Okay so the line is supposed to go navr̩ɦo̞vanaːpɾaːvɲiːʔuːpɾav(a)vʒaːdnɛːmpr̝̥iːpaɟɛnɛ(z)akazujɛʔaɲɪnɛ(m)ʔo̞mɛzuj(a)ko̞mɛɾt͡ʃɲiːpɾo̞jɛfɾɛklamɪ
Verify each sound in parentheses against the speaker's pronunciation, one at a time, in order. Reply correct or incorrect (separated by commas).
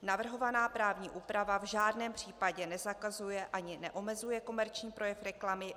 correct, correct, incorrect, incorrect